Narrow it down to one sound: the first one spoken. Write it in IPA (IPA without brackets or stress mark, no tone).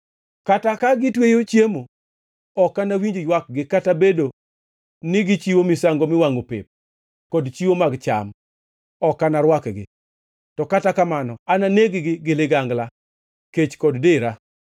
k